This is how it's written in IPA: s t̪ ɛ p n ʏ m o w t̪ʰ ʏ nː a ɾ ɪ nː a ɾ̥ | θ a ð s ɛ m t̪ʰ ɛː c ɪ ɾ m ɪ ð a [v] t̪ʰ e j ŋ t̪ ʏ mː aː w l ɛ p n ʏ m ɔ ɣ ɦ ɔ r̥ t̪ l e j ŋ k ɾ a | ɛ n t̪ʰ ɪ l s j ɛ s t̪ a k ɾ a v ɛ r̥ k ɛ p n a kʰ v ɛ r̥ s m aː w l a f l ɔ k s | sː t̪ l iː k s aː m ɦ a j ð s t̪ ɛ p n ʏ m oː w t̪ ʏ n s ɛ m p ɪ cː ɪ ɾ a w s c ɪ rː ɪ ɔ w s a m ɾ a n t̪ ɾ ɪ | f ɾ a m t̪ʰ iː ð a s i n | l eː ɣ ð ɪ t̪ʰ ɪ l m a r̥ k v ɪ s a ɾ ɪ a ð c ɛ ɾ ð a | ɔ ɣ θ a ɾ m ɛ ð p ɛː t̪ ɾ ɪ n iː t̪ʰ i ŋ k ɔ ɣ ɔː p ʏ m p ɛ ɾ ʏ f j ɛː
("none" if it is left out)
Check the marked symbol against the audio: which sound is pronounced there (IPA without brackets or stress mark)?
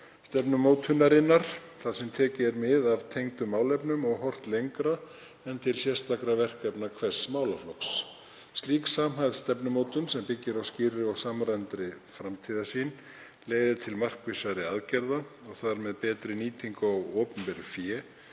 v